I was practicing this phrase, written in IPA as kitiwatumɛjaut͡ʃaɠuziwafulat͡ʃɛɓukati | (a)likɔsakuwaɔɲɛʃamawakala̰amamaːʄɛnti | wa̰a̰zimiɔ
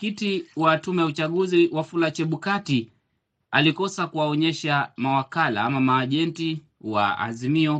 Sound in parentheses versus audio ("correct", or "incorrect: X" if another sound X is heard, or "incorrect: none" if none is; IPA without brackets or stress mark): correct